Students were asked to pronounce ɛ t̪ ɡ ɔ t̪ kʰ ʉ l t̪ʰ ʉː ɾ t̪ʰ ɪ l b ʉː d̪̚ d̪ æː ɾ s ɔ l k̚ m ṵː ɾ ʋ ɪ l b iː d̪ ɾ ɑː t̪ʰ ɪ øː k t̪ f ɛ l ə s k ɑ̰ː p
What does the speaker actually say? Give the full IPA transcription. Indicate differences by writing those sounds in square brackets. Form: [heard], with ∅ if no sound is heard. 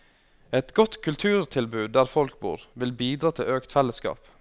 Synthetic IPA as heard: ɛ t̪ ɡ ɔ t̪ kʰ ʉ l t̪ʰ ʉː ɾ t̪ʰ ɪ l b ʉː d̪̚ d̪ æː ɾ [f] ɔ l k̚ [b] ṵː ɾ ʋ ɪ l b iː d̪ ɾ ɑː t̪ʰ ɪ øː k t̪ f ɛ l ə s k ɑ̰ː p